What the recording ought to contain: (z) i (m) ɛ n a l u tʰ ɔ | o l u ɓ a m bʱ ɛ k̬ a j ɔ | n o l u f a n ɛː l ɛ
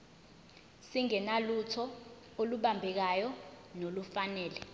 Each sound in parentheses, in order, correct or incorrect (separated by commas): incorrect, incorrect